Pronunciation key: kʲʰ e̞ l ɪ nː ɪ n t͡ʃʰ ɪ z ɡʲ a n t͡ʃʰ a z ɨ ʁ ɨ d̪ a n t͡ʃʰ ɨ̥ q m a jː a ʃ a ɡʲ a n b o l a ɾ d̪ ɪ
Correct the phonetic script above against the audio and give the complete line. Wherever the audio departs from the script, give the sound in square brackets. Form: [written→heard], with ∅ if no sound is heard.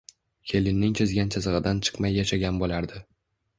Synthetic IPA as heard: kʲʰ e̞ l ɪ nː ɪ [n→ŋ] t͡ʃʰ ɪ z ɡʲ a n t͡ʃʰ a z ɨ ʁ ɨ d̪ a n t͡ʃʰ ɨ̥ q m a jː a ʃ a ɡʲ a n b o l a ɾ d̪ ɪ